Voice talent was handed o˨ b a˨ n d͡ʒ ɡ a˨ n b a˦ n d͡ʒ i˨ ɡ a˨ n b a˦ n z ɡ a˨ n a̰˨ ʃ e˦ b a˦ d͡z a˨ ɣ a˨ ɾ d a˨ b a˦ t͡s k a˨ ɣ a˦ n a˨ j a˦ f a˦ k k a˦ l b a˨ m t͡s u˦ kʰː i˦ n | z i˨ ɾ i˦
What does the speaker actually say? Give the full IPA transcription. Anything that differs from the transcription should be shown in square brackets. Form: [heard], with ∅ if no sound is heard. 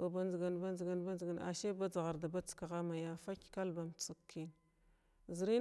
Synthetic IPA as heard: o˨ b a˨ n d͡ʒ ɡ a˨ n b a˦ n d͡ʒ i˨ ɡ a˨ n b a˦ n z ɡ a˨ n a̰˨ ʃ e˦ b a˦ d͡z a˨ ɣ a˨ ɾ d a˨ b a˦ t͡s k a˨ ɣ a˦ [m] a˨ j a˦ f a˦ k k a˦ l b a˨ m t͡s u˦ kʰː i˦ n | z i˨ ɾ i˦